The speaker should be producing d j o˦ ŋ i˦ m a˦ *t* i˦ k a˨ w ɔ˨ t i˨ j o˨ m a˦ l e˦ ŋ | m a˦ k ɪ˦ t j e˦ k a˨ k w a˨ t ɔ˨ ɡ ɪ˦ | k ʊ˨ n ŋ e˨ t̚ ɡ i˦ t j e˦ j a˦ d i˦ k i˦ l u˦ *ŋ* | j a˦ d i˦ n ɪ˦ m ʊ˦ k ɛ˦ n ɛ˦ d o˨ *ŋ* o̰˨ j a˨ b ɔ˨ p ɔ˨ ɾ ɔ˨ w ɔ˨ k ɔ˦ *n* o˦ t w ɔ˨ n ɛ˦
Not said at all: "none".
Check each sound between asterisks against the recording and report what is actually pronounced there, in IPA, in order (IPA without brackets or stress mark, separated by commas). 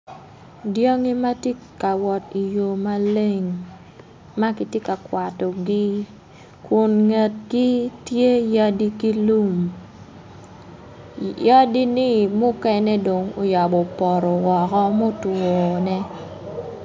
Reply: t, m, ŋ, m